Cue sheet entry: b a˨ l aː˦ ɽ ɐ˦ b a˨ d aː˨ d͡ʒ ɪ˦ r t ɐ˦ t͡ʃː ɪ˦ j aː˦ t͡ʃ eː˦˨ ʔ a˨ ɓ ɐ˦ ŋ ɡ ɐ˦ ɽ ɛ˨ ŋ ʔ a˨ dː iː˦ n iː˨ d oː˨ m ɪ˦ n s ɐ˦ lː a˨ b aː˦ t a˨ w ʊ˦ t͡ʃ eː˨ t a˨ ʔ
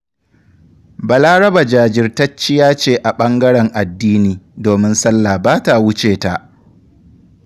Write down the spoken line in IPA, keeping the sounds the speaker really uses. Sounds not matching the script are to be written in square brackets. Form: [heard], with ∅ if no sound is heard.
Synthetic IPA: b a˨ l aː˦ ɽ ɐ˦ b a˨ [d͡ʒ] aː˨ d͡ʒ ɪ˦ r t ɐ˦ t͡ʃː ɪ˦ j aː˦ t͡ʃ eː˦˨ ʔ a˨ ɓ ɐ˦ ŋ ɡ ɐ˦ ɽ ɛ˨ ŋ ʔ a˨ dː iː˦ n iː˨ d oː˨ m ɪ˦ n s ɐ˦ lː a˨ b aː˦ t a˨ w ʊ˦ t͡ʃ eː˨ t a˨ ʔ

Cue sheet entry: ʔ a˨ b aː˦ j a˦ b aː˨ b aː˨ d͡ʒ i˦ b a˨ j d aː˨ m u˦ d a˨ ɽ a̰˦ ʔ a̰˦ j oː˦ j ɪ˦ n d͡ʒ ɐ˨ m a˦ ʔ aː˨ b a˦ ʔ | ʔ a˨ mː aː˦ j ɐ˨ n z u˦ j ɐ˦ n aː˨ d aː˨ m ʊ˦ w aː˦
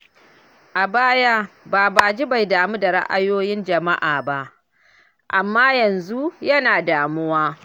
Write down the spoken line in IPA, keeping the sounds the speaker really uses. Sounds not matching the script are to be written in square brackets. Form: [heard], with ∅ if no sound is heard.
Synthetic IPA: ʔ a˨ b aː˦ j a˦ b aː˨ b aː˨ d͡ʒ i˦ b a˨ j d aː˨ m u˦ d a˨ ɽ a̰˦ ʔ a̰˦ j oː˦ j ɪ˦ n d͡ʒ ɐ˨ m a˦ ʔ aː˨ b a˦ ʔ | ʔ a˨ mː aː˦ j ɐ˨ n z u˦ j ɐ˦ n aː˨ d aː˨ m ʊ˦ w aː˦

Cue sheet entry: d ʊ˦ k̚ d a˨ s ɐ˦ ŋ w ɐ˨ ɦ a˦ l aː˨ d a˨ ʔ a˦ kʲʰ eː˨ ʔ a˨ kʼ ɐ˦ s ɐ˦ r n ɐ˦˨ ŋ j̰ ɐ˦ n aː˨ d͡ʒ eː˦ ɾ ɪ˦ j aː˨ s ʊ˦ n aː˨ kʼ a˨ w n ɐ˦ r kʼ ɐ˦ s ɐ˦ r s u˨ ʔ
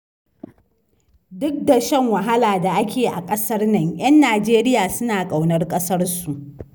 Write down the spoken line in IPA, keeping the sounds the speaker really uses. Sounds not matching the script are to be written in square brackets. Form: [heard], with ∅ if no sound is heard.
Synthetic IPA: d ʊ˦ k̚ d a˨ [ʃ] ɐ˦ ŋ w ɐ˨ ɦ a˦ l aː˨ d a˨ ʔ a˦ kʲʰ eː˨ ʔ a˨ kʼ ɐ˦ s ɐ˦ r n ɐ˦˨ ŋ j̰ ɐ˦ [nː] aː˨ d͡ʒ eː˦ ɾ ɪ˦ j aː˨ s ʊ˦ n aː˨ kʼ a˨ w n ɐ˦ r kʼ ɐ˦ s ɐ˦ r s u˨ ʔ

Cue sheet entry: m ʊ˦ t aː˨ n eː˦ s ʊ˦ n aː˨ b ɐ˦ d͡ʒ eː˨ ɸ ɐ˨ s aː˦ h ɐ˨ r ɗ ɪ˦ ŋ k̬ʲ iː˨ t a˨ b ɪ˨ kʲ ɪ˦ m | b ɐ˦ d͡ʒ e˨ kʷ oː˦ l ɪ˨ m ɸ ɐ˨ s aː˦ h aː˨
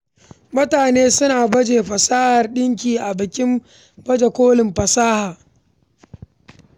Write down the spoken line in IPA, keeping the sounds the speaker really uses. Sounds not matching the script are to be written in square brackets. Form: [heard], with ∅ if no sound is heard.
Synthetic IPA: m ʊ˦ t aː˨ n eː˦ s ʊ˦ n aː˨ b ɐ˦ d͡ʒ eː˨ ɸ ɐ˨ s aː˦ h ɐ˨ r ɗ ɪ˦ ŋ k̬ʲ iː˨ [ʔ] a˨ b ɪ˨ kʲ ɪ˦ m | b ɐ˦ d͡ʒ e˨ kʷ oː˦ l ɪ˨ m ɸ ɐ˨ s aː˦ h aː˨

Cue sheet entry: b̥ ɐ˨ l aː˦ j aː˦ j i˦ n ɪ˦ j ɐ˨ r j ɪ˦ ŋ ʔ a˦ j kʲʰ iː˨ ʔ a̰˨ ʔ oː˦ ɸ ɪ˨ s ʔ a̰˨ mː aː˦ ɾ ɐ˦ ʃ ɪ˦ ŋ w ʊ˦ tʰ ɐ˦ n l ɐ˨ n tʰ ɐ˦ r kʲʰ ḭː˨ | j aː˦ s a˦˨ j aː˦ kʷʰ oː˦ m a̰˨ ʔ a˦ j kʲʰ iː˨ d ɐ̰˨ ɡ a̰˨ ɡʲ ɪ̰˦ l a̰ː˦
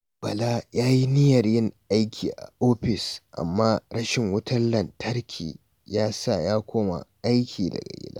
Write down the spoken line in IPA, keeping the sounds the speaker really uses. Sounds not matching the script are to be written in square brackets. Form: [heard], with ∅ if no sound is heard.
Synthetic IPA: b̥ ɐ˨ l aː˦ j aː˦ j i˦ n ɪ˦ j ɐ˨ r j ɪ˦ ŋ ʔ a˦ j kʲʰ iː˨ ʔ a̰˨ ʔ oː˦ ɸ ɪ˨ s ʔ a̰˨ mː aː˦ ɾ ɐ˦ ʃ [ɪ˨] ŋ w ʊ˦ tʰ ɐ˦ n l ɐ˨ n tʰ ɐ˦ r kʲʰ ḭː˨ | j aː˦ s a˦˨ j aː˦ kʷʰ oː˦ m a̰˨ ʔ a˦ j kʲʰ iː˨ d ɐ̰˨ ɡ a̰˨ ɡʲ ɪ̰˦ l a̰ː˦

